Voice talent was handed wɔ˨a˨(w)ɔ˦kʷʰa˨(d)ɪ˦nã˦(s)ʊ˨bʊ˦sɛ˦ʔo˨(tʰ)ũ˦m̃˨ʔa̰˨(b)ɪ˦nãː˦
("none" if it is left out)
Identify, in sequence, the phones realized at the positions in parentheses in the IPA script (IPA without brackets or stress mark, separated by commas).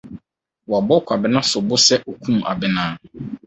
b, b, s, kʰ, b